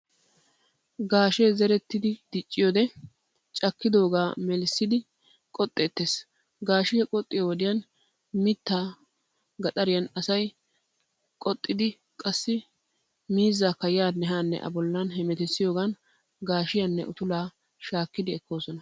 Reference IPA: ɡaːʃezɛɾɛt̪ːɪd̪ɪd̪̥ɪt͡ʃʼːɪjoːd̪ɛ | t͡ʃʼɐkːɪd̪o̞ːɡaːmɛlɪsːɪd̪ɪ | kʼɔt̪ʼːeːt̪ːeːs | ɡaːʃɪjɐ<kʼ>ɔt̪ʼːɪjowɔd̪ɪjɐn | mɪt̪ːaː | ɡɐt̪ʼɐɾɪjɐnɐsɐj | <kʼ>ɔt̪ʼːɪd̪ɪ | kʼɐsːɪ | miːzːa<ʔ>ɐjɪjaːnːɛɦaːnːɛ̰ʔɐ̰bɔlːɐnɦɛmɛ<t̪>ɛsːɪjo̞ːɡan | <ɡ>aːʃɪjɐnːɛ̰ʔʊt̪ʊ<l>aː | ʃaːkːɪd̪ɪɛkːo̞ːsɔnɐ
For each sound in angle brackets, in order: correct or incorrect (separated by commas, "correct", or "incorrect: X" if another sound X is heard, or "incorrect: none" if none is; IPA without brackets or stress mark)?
correct, correct, incorrect: k, correct, correct, correct